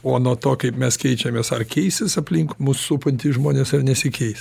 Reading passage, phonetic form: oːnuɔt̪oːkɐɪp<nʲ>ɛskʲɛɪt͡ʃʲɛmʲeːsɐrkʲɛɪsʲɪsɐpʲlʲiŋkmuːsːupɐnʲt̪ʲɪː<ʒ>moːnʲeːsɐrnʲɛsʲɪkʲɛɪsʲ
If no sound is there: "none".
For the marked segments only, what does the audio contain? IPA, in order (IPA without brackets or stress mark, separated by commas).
mʲ, ʒ